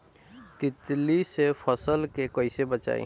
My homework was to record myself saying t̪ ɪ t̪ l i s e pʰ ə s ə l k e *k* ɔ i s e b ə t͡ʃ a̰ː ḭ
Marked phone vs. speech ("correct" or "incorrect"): correct